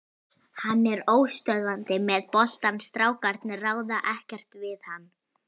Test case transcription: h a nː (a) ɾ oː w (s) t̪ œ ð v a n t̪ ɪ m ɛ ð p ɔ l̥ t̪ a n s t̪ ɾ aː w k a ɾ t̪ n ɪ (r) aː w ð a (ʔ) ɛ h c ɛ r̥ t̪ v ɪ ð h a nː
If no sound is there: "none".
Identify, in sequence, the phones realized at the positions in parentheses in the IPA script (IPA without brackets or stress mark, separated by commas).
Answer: ɛ, s, r, ʔ